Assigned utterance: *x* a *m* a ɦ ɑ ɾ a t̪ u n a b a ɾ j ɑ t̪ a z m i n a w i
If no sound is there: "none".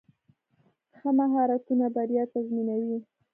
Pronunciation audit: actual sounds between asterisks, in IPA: x, m

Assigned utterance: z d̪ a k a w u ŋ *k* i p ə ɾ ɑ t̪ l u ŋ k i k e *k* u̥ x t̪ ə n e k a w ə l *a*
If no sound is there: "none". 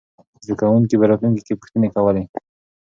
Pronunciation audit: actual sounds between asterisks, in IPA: k, p, e

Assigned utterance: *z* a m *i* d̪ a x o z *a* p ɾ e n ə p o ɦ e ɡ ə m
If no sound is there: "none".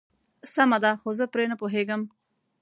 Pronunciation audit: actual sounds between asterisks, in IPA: s, a, ə

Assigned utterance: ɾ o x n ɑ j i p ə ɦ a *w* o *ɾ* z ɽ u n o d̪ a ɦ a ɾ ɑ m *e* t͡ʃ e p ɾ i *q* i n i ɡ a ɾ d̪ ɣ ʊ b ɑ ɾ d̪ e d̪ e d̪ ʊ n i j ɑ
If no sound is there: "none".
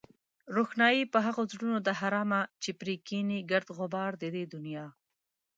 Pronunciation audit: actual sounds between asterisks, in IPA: ɣ, none, a, k

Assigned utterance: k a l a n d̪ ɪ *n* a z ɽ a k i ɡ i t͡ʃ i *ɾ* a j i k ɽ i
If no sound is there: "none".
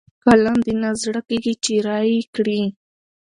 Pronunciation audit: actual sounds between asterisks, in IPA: n, ɾ

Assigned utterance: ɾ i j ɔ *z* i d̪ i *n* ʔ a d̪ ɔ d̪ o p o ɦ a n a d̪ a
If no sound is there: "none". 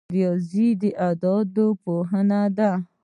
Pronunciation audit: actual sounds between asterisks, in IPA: z, none

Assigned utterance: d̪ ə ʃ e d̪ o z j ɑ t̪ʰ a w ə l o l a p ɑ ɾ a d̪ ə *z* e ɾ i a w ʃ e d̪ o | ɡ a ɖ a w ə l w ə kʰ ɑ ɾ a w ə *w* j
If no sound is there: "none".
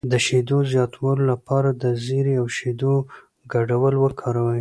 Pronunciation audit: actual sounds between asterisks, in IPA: z, none

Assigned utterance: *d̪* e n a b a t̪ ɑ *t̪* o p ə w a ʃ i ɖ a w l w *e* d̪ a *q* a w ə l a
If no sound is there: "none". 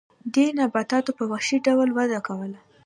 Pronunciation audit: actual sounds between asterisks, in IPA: d̪, t̪, a, k

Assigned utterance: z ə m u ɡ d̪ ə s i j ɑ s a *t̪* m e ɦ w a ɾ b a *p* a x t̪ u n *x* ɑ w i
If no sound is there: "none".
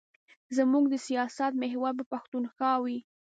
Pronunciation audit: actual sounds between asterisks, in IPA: t̪, p, x

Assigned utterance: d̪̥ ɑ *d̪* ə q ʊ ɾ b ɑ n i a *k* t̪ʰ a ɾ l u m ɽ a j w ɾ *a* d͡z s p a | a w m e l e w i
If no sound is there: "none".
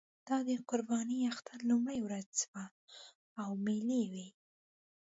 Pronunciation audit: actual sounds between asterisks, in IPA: d̪, x, a

